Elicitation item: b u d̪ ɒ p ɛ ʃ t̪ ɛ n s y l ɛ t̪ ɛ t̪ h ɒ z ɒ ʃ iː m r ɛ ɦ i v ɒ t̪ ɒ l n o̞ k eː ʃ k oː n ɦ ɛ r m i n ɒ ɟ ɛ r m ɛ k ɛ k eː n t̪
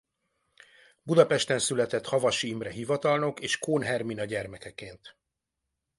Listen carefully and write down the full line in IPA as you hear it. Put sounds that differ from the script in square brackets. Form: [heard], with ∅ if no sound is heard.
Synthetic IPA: b u d̪ ɒ p ɛ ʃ t̪ ɛ n s y l ɛ t̪ ɛ t̪ h ɒ [v] ɒ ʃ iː m r ɛ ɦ i v ɒ t̪ ɒ l n o̞ k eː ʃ k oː n ɦ ɛ r m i n ɒ ɟ ɛ r m ɛ k ɛ k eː n t̪